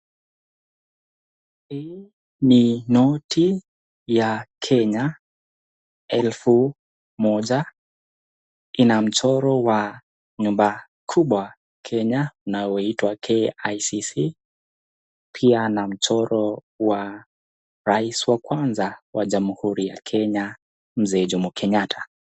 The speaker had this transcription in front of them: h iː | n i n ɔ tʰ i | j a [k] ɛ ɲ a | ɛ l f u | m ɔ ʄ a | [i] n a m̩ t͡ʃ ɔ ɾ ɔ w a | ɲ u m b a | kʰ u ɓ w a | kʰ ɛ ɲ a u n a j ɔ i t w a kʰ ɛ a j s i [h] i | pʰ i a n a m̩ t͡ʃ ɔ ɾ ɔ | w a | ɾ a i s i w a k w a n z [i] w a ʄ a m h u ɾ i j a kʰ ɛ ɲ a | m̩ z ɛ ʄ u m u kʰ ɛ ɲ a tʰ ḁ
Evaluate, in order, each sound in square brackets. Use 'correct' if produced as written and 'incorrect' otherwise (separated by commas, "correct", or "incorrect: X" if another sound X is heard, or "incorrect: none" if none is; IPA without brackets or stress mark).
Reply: incorrect: kʰ, correct, incorrect: s, incorrect: a